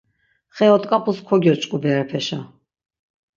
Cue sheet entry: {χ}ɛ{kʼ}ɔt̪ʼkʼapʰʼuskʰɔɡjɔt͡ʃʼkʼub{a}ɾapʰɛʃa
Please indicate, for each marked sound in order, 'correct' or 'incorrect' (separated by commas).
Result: correct, incorrect, incorrect